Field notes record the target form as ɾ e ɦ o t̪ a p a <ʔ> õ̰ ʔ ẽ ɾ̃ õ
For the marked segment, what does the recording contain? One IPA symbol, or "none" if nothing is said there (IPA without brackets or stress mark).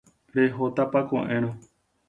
k